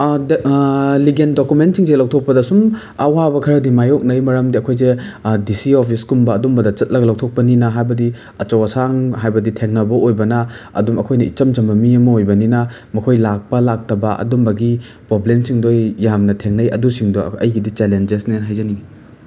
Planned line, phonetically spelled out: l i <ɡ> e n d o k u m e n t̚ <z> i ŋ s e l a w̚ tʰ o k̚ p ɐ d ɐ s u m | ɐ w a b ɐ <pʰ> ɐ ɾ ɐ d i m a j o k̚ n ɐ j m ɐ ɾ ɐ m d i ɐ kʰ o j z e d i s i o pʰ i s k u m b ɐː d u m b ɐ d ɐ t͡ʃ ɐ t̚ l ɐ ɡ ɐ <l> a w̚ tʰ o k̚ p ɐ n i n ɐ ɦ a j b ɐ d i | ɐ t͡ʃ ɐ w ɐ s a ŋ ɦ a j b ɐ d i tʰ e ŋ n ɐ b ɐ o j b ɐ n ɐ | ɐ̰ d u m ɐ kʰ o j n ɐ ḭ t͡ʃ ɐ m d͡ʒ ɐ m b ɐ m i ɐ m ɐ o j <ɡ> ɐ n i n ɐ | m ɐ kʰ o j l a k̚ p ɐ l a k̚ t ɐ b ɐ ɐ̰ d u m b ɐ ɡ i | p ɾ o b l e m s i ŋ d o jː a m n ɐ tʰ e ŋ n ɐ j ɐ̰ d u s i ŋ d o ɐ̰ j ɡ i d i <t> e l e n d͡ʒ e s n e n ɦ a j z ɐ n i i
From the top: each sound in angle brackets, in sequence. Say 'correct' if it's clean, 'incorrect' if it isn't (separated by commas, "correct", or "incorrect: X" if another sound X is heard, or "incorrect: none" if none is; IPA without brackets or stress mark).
correct, incorrect: s, incorrect: kʰ, correct, incorrect: b, incorrect: t͡ʃ